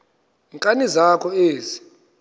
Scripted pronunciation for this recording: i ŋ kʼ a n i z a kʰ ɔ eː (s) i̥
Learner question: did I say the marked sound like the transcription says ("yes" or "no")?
no